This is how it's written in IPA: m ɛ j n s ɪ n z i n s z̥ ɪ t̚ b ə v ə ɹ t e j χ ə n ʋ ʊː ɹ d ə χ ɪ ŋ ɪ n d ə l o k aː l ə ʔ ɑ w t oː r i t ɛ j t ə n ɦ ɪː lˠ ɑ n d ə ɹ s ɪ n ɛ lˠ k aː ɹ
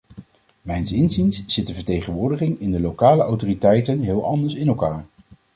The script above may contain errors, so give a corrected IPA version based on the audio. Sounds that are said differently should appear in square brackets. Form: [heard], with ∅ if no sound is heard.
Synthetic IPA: m ɛ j n s ɪ n z i n s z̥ ɪ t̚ [d] ə v ə ɹ t e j χ ə n ʋ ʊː ɹ d ə χ ɪ ŋ ɪ n d ə l o k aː l ə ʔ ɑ w t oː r i t ɛ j t ə n ɦ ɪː lˠ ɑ n d ə ɹ s ɪ n ɛ lˠ k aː ɹ